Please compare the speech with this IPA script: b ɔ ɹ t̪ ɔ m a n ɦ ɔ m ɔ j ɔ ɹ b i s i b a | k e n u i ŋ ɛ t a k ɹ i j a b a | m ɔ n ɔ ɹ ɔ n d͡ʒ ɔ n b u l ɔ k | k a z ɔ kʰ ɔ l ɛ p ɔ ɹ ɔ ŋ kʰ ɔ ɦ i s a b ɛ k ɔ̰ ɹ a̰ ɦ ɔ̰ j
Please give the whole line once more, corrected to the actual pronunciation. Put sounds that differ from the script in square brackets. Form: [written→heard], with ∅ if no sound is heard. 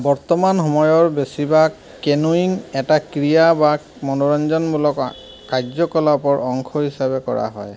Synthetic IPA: b ɔ ɹ t̪ ɔ m a n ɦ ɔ m ɔ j ɔ ɹ b [i→e] s i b a | k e n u i ŋ ɛ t a k ɹ i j a b a | m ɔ n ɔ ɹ ɔ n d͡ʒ ɔ n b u l ɔ k | k a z ɔ [kʰ→k] ɔ l [ɛ→a] p ɔ ɹ ɔ ŋ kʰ ɔ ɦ i s a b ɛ k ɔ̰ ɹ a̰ ɦ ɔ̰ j